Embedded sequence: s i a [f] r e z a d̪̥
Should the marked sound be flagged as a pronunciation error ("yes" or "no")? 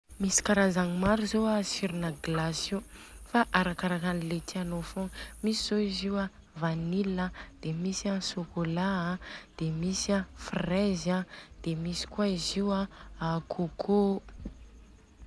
no